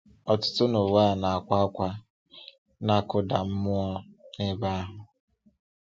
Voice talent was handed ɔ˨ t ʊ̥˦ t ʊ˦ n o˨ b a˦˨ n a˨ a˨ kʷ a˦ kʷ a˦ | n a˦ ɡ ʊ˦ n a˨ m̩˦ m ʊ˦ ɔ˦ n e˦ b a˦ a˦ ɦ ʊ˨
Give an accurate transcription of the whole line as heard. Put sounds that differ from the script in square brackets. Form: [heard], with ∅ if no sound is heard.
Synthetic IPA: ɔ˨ t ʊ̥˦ t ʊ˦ n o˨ [w] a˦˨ n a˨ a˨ kʷ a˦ kʷ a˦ | n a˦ [k] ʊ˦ [d] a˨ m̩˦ m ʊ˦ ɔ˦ n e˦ b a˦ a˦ ɦ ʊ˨